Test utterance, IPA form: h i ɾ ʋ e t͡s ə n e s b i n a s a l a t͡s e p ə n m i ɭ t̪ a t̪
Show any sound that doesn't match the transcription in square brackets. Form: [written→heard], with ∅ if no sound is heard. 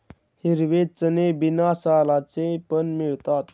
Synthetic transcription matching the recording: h i ɾ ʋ e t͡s ə n e [s→∅] b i n a s a l a t͡s e p ə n m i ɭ t̪ a t̪